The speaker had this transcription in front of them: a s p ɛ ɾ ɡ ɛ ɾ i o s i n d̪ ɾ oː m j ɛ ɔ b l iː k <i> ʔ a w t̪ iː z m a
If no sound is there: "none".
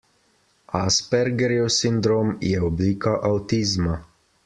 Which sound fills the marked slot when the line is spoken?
a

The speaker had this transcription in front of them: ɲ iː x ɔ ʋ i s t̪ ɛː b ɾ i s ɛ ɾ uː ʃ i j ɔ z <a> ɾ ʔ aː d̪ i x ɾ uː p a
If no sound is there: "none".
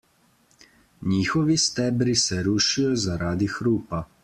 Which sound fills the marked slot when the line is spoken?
a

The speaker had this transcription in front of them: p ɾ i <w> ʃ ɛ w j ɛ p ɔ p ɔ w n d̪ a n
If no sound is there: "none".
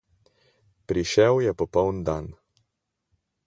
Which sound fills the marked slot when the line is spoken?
none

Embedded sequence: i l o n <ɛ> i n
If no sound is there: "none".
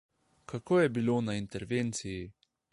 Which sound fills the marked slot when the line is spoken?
a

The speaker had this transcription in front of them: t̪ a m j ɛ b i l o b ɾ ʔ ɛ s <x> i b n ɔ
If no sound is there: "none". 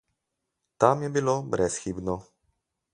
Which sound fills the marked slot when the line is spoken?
x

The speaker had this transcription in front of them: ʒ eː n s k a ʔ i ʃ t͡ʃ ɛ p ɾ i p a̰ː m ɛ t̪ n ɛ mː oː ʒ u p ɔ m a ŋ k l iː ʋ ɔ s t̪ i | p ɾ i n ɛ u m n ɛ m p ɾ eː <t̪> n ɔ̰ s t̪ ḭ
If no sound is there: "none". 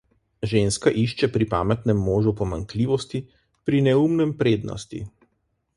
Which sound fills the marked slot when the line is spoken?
d̪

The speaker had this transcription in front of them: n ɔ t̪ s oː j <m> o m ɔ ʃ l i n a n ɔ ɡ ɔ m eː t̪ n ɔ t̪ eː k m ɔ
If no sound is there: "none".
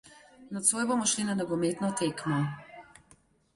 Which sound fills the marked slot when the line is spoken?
b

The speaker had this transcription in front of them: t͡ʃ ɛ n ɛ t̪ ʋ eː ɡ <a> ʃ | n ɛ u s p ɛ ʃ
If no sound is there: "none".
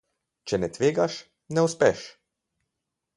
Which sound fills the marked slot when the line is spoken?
a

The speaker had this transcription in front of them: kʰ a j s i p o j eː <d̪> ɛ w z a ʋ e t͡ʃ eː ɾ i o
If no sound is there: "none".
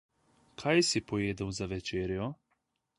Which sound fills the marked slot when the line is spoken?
d̪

